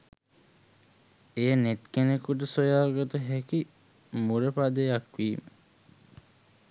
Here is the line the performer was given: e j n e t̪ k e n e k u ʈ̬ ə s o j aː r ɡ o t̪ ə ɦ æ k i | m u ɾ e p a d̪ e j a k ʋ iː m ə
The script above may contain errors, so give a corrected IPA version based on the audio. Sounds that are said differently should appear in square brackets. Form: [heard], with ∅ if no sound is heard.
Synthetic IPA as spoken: e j n e t̪ k e n e k u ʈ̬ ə s o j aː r ɡ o t̪ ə ɦ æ k i | m u ɾ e p a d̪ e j a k ʋ iː m ə

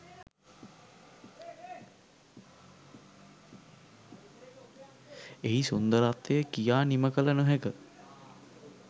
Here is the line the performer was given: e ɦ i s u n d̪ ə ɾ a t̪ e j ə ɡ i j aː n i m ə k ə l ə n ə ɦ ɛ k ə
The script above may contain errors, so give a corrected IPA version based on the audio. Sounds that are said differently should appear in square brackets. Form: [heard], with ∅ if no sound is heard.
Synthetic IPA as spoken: e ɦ i s u n d̪ ə ɾ a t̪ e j ə [k] i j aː n i m ə k ə l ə n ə ɦ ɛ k ə

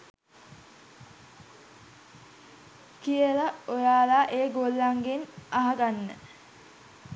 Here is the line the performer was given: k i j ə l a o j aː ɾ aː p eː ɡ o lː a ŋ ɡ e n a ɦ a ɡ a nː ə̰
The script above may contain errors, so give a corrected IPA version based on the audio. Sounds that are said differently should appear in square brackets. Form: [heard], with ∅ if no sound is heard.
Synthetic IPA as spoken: k i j ə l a o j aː [l] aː [ʔ] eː ɡ o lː a ŋ ɡ e n a ɦ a ɡ a nː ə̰

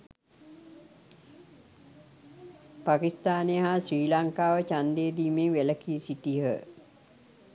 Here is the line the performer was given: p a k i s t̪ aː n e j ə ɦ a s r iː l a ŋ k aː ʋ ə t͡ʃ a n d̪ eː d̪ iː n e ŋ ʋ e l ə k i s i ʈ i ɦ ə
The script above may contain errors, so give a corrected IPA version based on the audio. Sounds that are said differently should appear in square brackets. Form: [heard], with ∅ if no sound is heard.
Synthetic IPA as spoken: p a k i s t̪ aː n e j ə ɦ a s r iː l a ŋ k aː ʋ ə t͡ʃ a n d̪ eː d̪ iː [m] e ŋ ʋ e l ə k i s i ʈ i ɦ ə

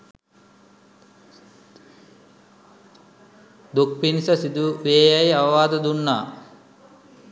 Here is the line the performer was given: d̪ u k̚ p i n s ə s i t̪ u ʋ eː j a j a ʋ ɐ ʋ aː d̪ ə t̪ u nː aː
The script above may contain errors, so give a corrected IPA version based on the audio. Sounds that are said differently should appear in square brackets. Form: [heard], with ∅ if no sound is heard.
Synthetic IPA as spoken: d̪ u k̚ p i n s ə s i [d̪] u ʋ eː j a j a ʋ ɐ ʋ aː d̪ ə [d̪] u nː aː

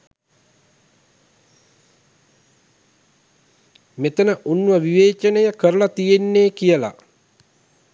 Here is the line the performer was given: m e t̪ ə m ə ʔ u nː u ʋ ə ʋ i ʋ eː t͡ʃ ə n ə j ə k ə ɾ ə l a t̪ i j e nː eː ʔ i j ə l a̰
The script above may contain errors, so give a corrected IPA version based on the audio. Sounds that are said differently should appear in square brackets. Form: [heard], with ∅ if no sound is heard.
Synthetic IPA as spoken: m e t̪ ə [n] ə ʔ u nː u ʋ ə ʋ i ʋ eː t͡ʃ ə n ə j ə k ə ɾ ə l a t̪ i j e nː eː [k] i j ə l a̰

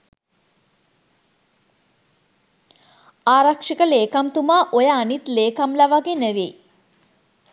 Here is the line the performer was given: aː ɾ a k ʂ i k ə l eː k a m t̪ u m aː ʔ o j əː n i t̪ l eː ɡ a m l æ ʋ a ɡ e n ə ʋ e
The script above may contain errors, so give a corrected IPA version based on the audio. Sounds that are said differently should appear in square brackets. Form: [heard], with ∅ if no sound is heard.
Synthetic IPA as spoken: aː ɾ a k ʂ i k ə l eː k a m t̪ u m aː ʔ o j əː n i t̪ l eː [k] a m l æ ʋ a ɡ e n ə ʋ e

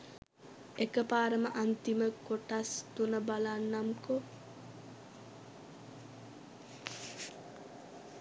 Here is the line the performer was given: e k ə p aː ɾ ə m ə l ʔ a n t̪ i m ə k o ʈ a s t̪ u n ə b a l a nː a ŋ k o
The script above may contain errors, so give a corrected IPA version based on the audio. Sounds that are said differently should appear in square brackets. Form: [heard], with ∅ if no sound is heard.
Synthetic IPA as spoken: e k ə p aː ɾ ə m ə [∅] ʔ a n t̪ i m ə k o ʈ a s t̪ u n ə b a l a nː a [m] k o

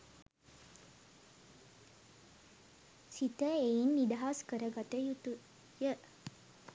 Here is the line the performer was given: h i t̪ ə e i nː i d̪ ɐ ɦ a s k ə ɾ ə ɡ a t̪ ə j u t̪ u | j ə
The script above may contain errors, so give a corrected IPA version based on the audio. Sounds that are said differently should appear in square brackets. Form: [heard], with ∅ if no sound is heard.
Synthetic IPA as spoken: [s] i t̪ ə e i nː i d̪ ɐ ɦ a s k ə ɾ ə ɡ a t̪ ə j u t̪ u | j ə

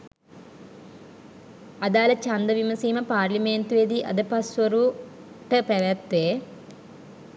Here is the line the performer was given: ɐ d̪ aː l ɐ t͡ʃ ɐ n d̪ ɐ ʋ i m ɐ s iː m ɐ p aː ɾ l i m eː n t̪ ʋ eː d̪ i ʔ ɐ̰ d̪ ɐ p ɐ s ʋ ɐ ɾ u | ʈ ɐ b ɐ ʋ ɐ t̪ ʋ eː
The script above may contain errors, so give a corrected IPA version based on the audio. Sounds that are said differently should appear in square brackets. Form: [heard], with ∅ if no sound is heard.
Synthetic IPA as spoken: ɐ d̪ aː l ɐ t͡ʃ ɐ n d̪ ɐ ʋ i m ɐ s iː m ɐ p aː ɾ l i m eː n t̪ ʋ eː d̪ i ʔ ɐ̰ d̪ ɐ p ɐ s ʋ ɐ ɾ u | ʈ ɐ [p] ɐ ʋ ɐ t̪ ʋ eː

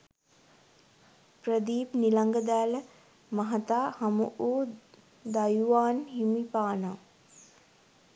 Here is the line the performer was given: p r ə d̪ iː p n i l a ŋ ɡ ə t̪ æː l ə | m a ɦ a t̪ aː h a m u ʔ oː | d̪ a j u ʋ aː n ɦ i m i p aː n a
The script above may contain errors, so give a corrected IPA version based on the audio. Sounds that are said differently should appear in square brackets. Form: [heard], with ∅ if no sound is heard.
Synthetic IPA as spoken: p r ə d̪ iː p n i l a ŋ ɡ ə [d̪] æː l ə | m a ɦ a t̪ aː h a m u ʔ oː | d̪ a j u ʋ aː n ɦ i m i p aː n a

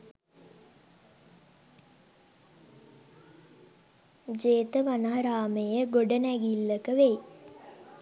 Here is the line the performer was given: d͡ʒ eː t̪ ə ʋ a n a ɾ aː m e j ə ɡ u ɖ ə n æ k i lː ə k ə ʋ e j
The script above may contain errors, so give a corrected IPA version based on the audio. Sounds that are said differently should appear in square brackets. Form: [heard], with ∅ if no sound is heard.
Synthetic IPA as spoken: d͡ʒ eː t̪ ə ʋ a n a ɾ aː m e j ə ɡ [o] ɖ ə n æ [ɡ] i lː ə k ə ʋ e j

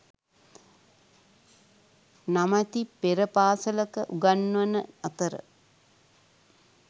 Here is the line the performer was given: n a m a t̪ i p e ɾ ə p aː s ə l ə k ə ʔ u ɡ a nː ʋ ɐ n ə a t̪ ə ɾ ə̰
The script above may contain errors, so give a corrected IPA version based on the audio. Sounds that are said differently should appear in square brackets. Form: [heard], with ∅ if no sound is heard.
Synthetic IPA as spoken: n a m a t̪ i p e ɾ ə p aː s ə l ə k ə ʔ u ɡ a nː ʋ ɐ n ə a t̪ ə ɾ ə̰

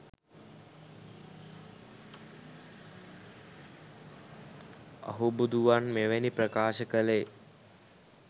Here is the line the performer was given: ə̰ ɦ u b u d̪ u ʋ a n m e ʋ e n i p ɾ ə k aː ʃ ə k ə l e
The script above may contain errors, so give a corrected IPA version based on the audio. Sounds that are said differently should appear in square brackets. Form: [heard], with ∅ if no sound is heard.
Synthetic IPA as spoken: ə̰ ɦ u b u d̪ u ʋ a n m e ʋ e n i p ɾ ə k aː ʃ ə k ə l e

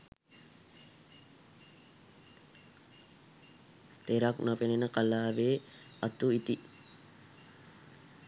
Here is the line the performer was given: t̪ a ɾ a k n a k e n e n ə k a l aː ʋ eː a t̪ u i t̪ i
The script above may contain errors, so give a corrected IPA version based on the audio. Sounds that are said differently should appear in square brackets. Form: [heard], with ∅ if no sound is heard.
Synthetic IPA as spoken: t̪ [e] ɾ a k n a [p] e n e n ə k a l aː ʋ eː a t̪ u i t̪ i

